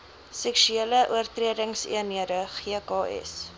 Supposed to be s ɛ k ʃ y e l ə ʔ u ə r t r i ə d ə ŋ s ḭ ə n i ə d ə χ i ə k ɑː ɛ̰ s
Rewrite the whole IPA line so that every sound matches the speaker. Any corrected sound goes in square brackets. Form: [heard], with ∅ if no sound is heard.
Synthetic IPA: s ɛ k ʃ y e l ə ʔ u ə r t r i ə d ə ŋ s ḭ ə n i ə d ə χ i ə k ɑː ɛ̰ s